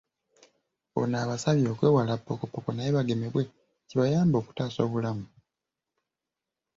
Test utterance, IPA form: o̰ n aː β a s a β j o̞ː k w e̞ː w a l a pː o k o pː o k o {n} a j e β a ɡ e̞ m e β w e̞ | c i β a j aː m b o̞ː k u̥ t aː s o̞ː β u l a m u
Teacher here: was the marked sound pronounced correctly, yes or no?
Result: yes